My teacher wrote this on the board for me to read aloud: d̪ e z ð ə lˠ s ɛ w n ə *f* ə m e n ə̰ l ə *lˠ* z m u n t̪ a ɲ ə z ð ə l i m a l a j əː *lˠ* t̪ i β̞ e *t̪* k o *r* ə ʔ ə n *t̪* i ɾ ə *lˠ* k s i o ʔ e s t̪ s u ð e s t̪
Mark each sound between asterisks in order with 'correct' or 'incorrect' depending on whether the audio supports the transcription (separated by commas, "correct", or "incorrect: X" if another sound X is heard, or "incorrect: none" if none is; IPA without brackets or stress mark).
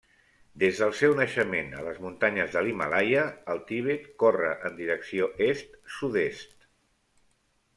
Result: incorrect: ʃ, incorrect: none, correct, correct, correct, incorrect: d̪, incorrect: none